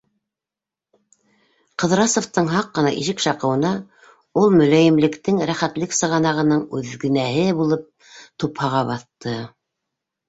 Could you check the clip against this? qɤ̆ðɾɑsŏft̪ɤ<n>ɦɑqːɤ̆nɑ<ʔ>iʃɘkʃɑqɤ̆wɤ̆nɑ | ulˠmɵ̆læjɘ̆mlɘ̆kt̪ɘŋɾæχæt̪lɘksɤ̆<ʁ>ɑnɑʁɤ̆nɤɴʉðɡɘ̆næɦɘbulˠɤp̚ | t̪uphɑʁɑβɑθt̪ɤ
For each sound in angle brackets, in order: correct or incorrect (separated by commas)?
incorrect, correct, correct